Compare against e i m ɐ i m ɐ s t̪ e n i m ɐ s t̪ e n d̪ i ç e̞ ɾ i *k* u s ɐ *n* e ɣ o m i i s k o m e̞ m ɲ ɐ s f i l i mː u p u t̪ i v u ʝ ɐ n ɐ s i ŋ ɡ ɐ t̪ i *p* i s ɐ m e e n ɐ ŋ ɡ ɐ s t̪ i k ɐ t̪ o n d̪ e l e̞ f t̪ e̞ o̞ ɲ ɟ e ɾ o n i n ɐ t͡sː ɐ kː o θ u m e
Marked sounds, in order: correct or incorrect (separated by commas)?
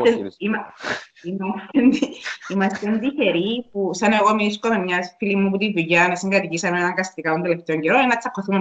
incorrect, correct, incorrect